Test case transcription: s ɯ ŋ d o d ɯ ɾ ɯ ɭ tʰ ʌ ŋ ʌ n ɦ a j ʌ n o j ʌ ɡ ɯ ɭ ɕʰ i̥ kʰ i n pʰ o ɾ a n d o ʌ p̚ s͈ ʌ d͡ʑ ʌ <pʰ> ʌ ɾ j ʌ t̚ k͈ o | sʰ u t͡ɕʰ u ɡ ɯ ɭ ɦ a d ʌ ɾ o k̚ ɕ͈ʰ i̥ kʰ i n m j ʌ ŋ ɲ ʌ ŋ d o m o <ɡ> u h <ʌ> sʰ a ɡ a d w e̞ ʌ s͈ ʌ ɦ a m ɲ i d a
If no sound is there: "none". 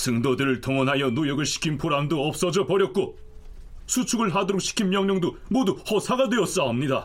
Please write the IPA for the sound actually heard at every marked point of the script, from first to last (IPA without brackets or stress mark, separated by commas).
p, d, ʌ